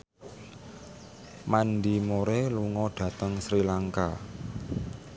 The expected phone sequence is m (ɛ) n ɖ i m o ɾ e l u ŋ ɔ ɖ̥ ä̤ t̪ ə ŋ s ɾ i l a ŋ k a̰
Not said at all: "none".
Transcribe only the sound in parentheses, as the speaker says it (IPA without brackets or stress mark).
a